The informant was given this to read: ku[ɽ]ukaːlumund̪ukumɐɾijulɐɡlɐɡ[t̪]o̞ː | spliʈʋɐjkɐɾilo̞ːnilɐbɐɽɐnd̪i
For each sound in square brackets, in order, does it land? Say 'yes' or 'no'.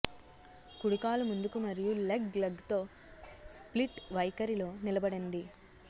yes, yes

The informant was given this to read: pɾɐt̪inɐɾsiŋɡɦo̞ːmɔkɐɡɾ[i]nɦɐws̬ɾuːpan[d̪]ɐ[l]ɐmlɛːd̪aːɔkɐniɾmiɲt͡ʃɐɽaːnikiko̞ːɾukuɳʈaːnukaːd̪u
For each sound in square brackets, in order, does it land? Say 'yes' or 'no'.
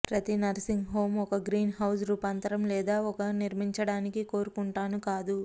no, no, no

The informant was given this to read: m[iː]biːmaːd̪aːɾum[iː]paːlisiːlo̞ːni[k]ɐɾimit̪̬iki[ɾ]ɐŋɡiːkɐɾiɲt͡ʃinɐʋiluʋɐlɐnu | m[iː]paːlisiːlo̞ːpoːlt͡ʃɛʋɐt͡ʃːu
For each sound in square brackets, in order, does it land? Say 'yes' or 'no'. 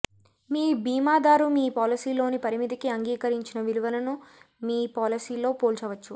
yes, yes, no, no, yes

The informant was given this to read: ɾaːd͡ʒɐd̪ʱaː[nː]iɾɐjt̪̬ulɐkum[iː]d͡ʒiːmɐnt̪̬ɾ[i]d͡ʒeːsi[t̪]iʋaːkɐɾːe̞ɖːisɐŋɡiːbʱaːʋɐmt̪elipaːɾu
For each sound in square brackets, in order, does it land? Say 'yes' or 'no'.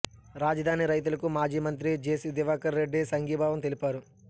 no, no, yes, no

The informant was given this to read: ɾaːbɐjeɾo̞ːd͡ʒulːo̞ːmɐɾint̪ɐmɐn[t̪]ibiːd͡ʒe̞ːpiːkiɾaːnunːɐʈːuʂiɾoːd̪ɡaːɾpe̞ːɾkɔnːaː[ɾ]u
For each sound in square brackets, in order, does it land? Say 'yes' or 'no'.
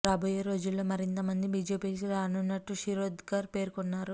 no, yes

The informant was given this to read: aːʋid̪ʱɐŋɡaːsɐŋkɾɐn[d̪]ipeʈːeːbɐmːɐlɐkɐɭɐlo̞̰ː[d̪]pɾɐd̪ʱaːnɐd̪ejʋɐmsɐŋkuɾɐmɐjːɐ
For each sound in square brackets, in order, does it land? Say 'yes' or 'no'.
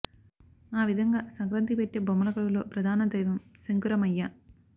no, no

